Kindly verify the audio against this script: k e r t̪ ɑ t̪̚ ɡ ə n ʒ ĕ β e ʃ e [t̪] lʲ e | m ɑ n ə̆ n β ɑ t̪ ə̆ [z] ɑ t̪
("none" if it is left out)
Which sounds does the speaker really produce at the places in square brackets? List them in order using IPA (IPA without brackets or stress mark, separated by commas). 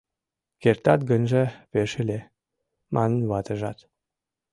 none, ʒ